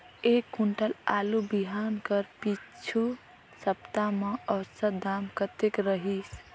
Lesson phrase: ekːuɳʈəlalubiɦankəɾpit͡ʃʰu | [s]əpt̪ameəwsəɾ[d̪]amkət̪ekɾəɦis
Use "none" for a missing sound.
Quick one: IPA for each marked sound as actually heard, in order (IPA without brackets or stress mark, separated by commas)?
s, d̪